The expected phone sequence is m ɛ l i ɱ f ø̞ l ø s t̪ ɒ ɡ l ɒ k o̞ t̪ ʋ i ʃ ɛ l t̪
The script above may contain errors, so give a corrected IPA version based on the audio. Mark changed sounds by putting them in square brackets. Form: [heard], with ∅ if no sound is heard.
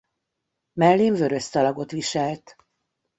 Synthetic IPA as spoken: m ɛ [lː] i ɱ [v] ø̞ [ɾ] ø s t̪ ɒ [∅] l ɒ [ɡ] o̞ t̪ ʋ i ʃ ɛ l t̪